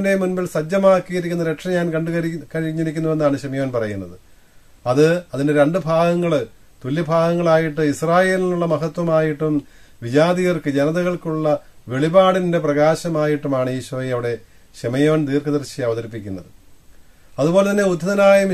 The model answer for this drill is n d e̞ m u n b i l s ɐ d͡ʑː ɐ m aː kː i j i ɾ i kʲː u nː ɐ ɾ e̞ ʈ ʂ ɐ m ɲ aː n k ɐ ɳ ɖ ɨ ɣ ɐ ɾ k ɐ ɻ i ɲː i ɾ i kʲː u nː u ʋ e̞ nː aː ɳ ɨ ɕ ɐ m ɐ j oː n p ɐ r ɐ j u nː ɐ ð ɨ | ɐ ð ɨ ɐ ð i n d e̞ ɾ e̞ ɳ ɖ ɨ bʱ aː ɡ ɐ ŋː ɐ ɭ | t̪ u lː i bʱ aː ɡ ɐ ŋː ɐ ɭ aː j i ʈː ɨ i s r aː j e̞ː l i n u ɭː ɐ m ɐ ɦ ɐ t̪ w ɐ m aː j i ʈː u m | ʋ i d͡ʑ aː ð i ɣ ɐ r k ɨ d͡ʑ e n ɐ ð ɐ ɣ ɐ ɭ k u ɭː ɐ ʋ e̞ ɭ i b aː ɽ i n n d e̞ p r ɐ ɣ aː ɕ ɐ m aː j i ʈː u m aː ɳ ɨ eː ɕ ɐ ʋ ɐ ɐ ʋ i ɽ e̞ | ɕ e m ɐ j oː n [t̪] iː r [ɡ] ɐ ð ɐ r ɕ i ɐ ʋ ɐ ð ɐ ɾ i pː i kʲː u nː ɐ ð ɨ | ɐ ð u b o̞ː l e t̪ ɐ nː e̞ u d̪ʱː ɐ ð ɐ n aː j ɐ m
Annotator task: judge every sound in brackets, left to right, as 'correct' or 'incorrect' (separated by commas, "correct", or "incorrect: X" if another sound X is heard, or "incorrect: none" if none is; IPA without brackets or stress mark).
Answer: correct, incorrect: k